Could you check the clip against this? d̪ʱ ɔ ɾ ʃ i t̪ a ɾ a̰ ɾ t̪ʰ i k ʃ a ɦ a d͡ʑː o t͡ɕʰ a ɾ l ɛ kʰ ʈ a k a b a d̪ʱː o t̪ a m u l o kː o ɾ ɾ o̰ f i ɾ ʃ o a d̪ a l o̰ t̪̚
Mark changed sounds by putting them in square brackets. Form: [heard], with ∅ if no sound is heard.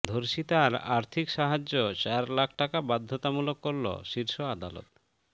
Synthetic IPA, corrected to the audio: d̪ʱ [o] ɾ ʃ i t̪ a ɾ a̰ ɾ t̪ʰ i k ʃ a ɦ a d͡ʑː o [t͡ɕ] a ɾ l [a] kʰ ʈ a k a b a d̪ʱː o t̪ a m u l o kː o ɾ [l] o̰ [ʃ] i ɾ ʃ o a d̪ a l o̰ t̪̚